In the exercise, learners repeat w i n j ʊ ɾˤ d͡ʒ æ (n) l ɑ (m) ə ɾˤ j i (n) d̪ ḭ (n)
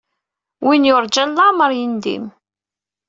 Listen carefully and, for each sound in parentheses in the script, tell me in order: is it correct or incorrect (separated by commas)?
correct, correct, correct, incorrect